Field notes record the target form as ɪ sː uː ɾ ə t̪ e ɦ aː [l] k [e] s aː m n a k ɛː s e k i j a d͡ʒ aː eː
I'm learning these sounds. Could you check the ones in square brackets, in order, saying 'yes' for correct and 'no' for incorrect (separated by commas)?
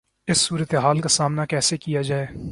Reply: yes, no